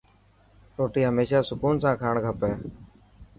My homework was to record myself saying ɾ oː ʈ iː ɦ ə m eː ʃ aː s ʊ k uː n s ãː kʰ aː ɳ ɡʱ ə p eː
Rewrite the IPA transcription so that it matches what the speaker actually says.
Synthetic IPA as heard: ɾ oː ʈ iː ɦ ə m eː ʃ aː s ʊ k uː n s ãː kʰ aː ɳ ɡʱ ə p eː